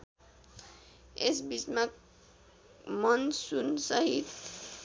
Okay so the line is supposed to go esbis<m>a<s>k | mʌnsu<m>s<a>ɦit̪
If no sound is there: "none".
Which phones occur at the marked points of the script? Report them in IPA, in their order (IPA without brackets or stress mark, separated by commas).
m, none, n, ʌ